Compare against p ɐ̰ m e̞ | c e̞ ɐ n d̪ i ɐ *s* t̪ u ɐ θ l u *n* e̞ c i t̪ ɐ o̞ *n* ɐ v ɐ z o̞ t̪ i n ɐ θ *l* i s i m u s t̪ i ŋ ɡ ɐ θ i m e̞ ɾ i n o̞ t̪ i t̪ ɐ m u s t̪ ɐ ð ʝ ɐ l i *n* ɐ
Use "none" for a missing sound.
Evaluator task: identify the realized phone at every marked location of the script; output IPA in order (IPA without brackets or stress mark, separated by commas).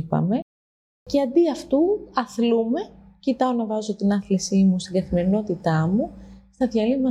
f, m, n, l, m